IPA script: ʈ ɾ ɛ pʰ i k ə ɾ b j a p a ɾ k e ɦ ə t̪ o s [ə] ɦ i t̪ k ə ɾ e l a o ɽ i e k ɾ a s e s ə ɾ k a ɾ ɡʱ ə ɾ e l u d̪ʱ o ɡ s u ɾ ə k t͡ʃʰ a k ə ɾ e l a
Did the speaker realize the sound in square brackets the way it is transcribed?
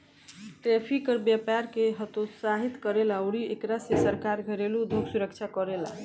no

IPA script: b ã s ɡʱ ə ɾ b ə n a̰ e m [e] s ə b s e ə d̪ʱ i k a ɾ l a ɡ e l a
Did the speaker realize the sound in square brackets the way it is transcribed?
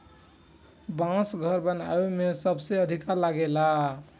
yes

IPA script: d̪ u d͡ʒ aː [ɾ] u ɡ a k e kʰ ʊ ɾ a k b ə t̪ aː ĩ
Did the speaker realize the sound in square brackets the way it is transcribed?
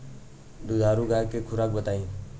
yes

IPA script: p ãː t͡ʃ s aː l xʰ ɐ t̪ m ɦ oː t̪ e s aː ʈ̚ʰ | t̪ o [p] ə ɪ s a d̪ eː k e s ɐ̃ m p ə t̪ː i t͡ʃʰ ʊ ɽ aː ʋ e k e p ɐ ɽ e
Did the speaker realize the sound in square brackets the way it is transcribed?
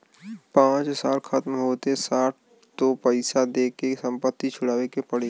yes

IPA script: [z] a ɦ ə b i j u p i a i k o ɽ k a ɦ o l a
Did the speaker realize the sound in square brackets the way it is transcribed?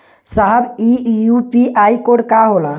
no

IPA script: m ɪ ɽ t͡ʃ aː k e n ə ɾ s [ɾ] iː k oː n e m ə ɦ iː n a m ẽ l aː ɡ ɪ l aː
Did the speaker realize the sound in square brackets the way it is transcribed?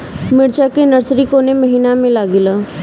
yes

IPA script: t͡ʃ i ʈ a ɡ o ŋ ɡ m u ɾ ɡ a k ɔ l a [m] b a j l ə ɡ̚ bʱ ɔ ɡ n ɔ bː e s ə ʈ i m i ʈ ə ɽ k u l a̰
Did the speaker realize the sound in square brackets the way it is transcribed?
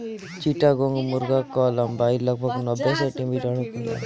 yes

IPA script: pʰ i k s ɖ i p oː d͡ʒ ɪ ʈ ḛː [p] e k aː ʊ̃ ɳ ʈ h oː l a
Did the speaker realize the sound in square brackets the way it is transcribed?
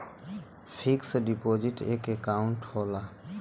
no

